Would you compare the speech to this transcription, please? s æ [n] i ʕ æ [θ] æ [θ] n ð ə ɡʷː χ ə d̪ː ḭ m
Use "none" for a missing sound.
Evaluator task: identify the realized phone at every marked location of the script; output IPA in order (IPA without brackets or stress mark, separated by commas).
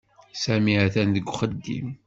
m, θ, none